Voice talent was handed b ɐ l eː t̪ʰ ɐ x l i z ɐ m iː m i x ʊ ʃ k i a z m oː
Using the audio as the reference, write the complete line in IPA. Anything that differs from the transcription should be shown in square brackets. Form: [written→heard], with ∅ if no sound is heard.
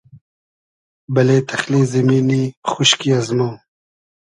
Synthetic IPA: b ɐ l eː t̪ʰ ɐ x l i z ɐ m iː [m→n] i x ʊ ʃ k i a z m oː